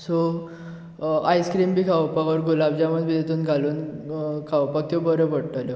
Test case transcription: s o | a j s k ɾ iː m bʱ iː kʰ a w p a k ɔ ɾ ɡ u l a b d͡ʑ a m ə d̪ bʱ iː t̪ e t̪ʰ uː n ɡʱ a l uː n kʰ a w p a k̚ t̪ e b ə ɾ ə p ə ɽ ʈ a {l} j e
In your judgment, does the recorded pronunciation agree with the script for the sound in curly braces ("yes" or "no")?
yes